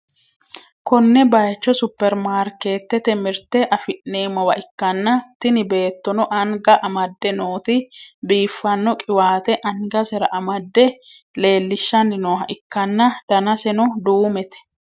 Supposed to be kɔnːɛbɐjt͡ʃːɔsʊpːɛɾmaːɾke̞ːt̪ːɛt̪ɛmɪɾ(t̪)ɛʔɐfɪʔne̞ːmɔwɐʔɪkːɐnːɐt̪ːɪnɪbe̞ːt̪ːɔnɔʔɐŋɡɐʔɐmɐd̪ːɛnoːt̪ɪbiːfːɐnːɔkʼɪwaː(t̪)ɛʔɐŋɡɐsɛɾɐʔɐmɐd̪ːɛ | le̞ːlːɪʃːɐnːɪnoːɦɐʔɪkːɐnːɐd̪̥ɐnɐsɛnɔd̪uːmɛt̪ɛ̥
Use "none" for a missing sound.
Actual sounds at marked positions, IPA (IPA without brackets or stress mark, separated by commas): t̪, t̪